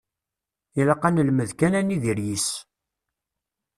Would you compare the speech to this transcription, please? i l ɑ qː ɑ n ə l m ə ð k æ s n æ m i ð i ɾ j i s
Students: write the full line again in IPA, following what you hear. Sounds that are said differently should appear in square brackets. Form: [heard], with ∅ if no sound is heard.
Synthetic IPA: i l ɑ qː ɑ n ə l m ə ð k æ [∅] n æ [n] i ð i ɾ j i s